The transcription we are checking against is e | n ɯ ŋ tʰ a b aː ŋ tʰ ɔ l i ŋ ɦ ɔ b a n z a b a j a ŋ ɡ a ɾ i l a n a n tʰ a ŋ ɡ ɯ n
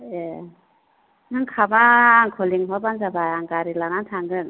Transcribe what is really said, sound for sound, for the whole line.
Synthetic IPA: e | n ɯ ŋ kʰ a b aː ŋ kʰ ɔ l i ŋ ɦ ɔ b a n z a b a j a ŋ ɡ a ɾ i l a n a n tʰ a ŋ ɡ ɯ n